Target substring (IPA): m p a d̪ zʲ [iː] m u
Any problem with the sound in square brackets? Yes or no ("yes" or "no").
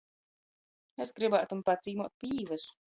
no